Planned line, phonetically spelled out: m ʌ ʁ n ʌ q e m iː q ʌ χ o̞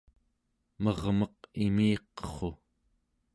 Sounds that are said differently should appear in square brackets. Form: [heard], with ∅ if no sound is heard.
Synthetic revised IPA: m ʌ ʁ [m] ʌ q [i] m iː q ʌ χ o̞